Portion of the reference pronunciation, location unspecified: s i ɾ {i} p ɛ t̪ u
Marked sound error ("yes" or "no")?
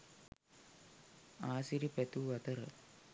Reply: no